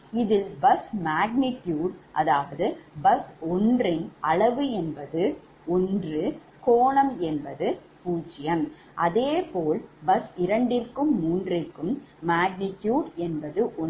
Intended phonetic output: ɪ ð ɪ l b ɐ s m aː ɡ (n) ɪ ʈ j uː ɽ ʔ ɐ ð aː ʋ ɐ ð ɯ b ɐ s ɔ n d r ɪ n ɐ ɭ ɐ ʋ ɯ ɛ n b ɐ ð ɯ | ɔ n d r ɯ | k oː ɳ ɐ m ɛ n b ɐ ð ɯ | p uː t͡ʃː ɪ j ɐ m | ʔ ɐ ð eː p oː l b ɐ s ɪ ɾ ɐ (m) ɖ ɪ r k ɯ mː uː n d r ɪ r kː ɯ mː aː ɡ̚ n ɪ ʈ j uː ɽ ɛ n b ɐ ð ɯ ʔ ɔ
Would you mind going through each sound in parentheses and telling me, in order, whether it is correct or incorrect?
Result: correct, incorrect: ɳ

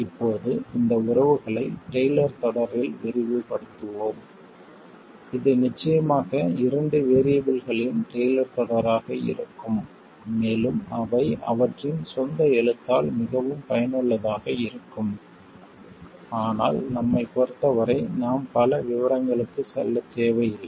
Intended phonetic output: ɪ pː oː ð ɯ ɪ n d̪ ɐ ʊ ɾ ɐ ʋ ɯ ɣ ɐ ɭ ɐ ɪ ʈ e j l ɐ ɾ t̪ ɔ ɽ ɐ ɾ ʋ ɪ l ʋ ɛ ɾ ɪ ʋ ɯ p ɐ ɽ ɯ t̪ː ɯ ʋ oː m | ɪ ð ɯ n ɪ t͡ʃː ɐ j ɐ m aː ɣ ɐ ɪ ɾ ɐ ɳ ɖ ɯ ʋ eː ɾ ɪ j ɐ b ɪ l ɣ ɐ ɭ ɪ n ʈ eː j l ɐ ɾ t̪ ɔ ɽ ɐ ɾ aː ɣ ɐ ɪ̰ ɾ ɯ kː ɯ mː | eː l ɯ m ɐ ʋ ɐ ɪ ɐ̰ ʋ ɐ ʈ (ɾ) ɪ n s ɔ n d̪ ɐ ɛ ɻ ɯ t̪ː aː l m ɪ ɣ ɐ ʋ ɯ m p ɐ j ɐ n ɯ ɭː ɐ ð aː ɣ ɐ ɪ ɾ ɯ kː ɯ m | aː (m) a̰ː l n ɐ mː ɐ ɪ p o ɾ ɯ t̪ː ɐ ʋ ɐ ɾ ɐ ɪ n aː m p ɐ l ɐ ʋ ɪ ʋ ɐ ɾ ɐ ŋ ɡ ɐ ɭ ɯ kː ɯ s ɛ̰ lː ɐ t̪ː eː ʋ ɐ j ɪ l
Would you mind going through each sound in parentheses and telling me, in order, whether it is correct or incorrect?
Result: incorrect: r, incorrect: n

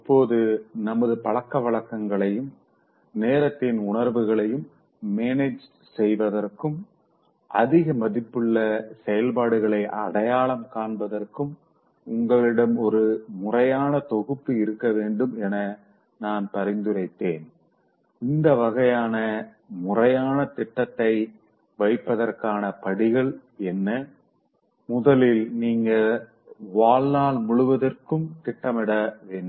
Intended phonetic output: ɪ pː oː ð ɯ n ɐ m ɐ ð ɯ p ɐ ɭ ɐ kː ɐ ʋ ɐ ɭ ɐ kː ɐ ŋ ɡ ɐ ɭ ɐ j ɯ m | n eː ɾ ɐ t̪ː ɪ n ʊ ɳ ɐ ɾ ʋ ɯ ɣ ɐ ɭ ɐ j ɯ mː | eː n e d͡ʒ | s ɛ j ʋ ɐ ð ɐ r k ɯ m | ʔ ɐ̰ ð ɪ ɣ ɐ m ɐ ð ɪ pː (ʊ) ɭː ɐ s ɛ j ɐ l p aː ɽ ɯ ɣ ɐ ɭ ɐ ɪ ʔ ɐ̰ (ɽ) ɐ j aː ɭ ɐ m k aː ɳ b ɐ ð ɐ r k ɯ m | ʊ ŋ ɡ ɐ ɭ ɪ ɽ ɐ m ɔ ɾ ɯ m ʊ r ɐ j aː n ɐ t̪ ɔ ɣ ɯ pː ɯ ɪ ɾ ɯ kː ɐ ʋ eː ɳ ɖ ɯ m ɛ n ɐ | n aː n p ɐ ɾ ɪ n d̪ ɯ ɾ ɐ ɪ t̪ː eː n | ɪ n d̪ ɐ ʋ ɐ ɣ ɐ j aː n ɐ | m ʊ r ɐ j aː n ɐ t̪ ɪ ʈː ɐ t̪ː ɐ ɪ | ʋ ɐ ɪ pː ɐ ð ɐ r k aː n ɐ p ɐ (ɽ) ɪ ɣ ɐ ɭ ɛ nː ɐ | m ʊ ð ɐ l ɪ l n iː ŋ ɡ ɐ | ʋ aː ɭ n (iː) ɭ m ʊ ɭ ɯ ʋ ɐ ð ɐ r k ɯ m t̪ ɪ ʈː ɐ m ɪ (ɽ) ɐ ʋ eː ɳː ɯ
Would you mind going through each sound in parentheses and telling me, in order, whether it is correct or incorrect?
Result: incorrect: ɯ, correct, correct, incorrect: aː, correct

